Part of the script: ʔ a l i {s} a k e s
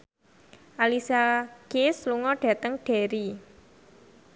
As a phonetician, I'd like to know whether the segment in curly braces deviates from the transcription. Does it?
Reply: no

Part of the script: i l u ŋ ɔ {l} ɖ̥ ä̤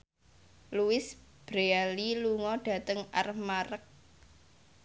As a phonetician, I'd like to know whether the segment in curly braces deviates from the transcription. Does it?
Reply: yes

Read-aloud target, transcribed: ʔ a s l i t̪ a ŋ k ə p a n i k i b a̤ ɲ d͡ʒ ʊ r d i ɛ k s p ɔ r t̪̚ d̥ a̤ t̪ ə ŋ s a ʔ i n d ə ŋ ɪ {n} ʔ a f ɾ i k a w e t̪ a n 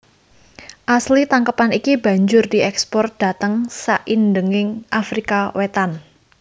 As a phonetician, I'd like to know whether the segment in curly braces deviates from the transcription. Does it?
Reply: yes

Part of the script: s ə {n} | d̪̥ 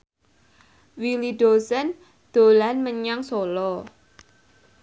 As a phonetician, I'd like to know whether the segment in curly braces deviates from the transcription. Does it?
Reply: no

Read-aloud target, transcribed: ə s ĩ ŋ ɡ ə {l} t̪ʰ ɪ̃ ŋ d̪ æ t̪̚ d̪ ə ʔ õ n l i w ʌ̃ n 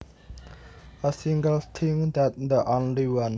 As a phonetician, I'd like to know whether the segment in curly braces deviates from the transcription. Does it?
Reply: no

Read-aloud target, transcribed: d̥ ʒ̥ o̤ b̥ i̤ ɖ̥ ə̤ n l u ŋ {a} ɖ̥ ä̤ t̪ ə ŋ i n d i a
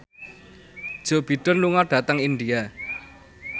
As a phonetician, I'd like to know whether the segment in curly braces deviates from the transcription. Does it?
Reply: no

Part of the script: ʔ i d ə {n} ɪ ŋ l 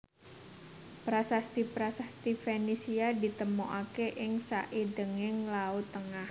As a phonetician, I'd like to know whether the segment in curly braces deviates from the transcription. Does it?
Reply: yes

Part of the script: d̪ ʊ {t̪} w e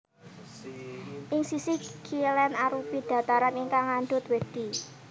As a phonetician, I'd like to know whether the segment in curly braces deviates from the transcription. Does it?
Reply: no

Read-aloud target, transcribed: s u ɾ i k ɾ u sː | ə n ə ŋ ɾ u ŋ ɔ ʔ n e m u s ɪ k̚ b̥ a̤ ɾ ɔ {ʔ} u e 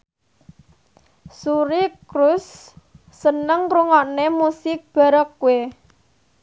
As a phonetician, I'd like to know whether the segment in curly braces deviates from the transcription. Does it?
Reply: yes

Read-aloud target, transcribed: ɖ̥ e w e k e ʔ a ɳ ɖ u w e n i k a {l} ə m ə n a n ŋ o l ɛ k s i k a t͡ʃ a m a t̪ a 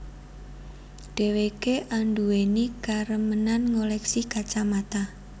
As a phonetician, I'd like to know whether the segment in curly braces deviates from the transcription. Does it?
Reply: yes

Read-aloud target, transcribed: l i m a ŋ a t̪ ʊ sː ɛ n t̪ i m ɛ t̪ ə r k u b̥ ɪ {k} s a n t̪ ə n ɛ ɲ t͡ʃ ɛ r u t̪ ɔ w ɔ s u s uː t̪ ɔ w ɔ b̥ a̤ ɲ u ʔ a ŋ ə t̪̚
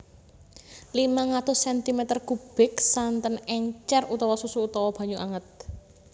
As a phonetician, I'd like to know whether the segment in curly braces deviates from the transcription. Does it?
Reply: no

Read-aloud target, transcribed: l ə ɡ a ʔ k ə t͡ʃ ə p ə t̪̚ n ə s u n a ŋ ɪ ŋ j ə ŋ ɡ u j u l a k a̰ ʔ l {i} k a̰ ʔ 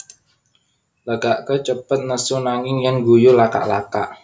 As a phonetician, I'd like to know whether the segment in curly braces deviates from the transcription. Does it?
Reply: yes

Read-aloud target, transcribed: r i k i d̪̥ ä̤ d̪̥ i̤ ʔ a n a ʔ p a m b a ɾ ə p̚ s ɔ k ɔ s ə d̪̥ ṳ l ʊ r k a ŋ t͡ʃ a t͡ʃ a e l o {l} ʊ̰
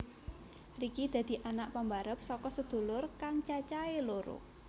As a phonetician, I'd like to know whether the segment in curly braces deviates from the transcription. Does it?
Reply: yes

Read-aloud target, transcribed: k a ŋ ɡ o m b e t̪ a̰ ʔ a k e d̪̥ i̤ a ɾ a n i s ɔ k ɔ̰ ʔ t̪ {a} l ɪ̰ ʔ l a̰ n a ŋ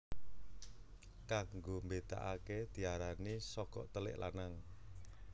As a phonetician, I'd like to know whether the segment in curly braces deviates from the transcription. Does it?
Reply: yes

